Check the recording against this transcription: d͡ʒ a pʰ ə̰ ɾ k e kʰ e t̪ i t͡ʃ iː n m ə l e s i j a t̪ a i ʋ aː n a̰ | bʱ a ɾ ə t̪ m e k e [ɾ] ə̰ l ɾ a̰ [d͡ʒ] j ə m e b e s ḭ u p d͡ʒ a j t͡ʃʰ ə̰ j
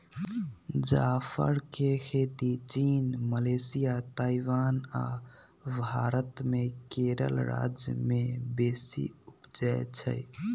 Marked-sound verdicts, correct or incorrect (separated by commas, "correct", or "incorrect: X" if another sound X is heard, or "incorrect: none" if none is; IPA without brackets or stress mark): correct, correct